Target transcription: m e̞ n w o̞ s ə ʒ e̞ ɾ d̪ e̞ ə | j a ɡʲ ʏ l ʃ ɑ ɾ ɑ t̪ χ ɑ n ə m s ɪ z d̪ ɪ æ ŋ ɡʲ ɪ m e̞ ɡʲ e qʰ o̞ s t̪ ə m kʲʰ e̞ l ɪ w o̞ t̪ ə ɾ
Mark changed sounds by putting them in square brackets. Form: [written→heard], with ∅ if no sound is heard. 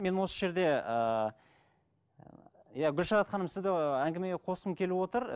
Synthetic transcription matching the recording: m e̞ n w o̞ s ə ʒ e̞ ɾ d̪ e̞ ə | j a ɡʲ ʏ l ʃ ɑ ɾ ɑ t̪ χ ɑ n ə m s ɪ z d̪ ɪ æ ŋ ɡʲ ɪ m e̞ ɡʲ e qʰ o̞ s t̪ ə m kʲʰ e̞ l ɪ w o̞ t̪ ə ɾ